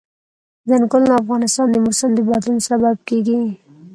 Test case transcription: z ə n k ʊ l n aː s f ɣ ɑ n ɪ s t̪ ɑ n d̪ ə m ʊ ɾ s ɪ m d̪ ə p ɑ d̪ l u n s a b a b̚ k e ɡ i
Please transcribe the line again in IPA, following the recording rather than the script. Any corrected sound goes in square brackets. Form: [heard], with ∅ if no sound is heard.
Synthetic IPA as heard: z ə n k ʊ l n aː [∅] f ɣ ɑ n ɪ s t̪ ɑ n d̪ ə m ʊ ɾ s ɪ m d̪ ə [b] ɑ d̪ l u n s a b a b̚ k e ɡ i